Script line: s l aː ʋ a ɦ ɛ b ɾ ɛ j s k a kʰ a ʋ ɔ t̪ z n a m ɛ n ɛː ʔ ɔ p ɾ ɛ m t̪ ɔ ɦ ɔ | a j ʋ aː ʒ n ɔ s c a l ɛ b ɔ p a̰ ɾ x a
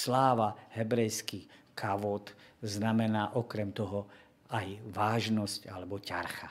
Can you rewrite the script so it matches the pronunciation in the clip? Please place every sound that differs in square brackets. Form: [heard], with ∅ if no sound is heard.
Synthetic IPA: s l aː ʋ a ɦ ɛ b ɾ ɛ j s k [i] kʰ a ʋ ɔ t̪ z n a m ɛ n [aː] ʔ ɔ [k] ɾ ɛ m t̪ ɔ ɦ ɔ | a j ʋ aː ʒ n ɔ s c a l ɛ b ɔ [c] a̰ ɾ x a